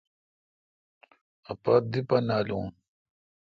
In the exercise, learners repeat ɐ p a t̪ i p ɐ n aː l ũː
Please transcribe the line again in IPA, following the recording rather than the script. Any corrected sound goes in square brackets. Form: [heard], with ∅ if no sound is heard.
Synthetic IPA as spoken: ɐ p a [d̪] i p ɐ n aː l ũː